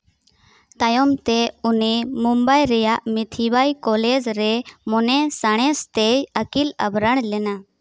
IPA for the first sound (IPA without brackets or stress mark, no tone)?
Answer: t̪